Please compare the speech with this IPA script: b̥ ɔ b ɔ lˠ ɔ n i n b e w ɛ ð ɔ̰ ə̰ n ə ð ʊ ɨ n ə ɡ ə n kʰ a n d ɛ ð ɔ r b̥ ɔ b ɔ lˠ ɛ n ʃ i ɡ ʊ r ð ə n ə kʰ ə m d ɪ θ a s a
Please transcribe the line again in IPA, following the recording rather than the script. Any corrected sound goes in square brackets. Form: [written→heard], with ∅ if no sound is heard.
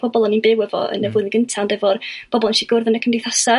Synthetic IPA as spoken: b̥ ɔ b ɔ lˠ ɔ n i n b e w ɛ [ð→v] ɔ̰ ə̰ n ə [ð→v] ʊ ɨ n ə ɡ ə n [kʰ→tʰ] a n d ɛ [ð→v] ɔ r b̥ ɔ b ɔ lˠ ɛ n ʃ i ɡ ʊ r ð ə n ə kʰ ə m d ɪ θ a s a